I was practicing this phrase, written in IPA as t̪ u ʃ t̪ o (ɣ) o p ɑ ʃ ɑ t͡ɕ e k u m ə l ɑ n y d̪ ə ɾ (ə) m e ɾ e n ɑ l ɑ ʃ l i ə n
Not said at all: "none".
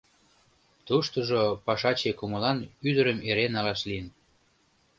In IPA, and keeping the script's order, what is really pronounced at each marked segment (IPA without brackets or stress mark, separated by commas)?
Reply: ʒ, ə